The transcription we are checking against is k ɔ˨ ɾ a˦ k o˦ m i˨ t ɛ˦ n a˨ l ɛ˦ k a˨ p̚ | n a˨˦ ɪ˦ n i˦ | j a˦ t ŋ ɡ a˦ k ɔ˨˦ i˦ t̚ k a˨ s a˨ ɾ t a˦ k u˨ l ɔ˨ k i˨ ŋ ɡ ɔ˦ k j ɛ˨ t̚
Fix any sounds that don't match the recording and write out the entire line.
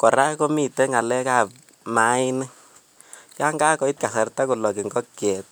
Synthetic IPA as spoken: k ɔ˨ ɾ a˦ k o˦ m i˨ t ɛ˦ ŋ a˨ l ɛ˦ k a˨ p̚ | m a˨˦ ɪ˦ n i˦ | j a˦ ŋ ɡ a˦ k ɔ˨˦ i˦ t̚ k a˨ s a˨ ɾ t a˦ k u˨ l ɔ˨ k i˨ ŋ ɡ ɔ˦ k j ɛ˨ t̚